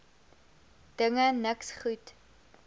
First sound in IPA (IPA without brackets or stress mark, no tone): d̥